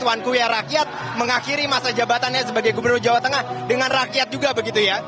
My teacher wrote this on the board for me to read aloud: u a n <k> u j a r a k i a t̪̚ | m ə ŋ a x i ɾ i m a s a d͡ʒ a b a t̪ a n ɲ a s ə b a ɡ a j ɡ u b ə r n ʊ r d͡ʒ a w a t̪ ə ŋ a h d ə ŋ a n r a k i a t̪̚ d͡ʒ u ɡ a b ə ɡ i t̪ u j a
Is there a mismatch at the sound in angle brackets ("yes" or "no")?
no